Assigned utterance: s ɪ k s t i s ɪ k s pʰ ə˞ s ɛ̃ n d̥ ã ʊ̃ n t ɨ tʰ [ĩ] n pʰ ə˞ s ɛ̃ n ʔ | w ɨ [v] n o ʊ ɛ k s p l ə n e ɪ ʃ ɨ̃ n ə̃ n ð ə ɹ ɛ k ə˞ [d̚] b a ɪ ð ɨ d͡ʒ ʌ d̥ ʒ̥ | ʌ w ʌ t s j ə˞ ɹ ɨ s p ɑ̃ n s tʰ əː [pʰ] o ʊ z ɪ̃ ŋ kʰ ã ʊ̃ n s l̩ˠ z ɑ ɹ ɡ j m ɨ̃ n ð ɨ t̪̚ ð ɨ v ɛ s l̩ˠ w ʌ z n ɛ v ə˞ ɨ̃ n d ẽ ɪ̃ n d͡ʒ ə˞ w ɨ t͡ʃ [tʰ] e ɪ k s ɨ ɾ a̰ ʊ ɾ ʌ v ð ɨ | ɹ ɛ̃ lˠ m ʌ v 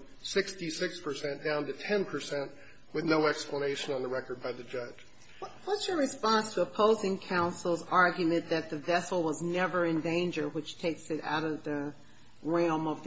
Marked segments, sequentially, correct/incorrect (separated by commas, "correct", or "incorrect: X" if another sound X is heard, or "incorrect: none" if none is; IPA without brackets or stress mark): incorrect: ɛ̃, incorrect: ð, correct, correct, correct